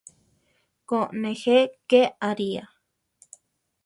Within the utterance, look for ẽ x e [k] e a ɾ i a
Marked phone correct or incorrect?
correct